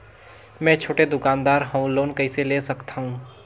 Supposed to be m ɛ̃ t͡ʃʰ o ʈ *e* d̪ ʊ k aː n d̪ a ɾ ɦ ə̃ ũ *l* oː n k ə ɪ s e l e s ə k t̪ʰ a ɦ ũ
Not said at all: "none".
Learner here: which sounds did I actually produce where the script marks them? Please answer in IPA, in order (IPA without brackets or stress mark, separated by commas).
e, l